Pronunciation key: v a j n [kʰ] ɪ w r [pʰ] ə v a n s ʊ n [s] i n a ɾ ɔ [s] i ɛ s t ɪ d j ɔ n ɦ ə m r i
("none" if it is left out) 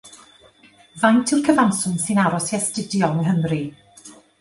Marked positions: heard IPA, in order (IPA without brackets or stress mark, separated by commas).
tʰ, kʰ, s, s